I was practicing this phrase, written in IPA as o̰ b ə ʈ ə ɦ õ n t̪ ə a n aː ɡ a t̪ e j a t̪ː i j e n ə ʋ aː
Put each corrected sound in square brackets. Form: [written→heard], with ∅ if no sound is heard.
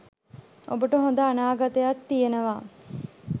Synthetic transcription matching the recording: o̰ b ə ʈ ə ɦ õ n [t̪→d̪] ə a n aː ɡ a t̪ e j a t̪ː i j e n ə ʋ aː